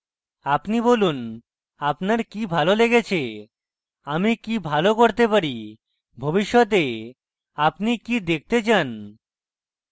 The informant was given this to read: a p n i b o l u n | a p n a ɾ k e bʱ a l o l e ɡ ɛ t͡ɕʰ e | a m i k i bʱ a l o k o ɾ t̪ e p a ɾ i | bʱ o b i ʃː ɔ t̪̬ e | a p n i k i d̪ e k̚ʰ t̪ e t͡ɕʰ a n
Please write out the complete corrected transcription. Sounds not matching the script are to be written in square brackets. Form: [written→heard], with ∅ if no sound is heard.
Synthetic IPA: a p n i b o l u n | a p n a ɾ k [e→i] bʱ a l o l e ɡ [ɛ→e] t͡ɕʰ e | a m i k i bʱ a l o k o ɾ t̪ e p a ɾ i | bʱ o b i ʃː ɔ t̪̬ e | a p n i k i d̪ e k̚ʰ t̪ e [t͡ɕʰ→t͡ɕ] a n